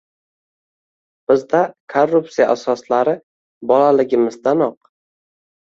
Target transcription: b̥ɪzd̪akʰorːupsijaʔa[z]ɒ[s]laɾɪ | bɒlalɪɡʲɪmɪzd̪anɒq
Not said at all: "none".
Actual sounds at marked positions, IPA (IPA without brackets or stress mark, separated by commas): s, s